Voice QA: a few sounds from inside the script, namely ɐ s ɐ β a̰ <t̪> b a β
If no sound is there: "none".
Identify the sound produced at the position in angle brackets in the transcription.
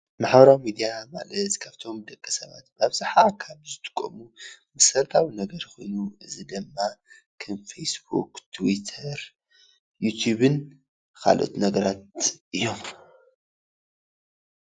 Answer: t̪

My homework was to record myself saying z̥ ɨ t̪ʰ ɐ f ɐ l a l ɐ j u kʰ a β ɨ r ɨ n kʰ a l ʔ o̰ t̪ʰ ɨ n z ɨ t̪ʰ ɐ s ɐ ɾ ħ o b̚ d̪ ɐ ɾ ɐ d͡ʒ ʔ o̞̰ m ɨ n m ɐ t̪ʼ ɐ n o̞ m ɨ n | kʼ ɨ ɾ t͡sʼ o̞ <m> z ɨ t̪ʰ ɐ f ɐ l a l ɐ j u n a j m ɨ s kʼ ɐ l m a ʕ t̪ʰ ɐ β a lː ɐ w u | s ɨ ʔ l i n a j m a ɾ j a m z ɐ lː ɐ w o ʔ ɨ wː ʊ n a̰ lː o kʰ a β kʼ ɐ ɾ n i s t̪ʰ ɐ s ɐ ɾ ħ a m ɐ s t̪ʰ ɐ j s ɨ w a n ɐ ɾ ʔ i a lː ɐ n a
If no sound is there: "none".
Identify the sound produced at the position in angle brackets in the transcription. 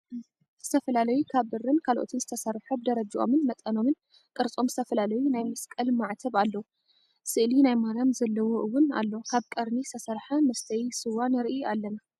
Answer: m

